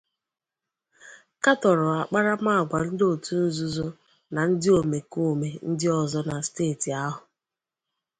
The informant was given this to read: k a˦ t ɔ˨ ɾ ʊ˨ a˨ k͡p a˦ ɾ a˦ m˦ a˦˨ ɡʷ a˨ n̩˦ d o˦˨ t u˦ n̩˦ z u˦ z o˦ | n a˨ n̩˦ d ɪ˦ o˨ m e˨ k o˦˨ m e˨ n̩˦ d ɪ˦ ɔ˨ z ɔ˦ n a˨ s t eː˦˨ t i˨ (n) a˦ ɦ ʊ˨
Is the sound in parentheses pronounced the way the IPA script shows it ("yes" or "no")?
no